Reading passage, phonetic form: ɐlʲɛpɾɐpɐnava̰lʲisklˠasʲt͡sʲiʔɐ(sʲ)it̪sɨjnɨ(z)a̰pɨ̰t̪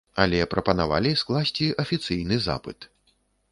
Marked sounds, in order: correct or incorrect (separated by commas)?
incorrect, correct